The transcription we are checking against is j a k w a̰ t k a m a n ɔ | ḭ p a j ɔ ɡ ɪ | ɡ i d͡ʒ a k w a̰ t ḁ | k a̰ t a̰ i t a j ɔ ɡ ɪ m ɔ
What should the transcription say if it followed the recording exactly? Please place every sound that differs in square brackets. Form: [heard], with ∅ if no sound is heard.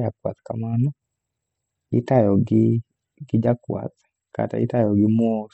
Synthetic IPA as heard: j a k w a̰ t k a m a n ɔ | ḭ [t] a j ɔ ɡ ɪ | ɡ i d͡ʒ a k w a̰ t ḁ | k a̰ t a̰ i t a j ɔ ɡ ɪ m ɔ